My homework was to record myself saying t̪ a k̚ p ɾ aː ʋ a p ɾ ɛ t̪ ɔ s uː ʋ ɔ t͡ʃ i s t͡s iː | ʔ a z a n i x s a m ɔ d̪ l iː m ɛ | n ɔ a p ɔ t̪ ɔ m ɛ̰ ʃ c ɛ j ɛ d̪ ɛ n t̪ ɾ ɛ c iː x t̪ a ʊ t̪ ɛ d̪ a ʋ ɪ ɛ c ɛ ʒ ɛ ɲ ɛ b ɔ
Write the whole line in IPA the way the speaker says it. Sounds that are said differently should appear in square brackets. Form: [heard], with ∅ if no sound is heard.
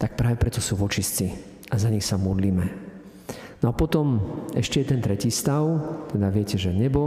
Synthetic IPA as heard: t̪ a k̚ p ɾ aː ʋ [ɛ] p ɾ ɛ t̪ ɔ s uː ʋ ɔ t͡ʃ i s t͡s [i] | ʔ a z a [ɲ] i x s a m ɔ d̪ l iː m ɛ | n ɔ a p ɔ t̪ ɔ m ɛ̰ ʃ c ɛ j ɛ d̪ ɛ n t̪ ɾ ɛ c iː [s] t̪ a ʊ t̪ ɛ d̪ a ʋ ɪ ɛ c ɛ ʒ ɛ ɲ ɛ b ɔ